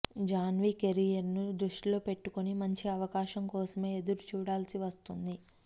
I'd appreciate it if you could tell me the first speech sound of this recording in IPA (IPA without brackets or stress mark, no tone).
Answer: d͡ʒ